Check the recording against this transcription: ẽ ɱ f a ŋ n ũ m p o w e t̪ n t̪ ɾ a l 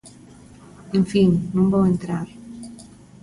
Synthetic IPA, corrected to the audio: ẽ ɱ f i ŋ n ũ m b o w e n t̪ ɾ a ɾ

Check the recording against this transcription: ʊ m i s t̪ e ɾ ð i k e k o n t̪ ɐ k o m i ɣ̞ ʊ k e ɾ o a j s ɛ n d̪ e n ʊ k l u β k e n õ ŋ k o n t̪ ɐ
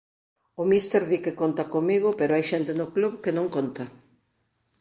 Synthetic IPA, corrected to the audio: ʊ m i s t̪ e ɾ ð i k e k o n t̪ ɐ k o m i ɣ̞ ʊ p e ɾ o a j ʃ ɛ n t̪ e n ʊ k l u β k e n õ ŋ k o n t̪ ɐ

